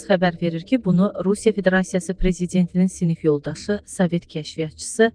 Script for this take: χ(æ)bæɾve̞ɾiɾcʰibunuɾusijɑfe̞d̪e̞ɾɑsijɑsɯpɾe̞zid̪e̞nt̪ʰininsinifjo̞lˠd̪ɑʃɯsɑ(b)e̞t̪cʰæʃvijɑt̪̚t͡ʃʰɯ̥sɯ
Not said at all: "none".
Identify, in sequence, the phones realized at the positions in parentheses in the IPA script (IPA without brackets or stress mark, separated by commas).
æ, v